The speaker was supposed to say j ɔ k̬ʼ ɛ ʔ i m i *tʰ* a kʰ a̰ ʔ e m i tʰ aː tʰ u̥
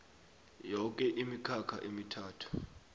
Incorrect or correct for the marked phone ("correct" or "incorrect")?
incorrect